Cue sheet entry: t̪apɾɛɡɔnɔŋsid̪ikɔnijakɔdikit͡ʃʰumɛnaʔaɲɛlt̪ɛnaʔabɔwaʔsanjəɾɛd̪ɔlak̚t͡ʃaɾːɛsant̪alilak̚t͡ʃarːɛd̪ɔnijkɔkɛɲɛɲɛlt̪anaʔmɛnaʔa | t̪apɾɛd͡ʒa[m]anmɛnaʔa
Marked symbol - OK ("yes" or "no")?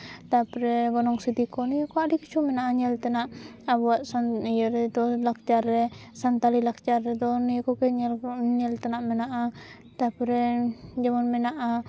yes